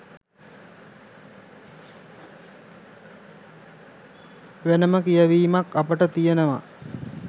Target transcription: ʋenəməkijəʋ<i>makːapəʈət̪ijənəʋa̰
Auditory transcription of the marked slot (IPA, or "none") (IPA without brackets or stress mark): iː